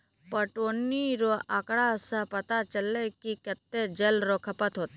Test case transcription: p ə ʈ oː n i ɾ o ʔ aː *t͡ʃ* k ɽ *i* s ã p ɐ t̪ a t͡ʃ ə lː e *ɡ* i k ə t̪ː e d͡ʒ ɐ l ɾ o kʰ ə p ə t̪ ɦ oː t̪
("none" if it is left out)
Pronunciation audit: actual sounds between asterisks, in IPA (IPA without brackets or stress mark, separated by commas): none, a, k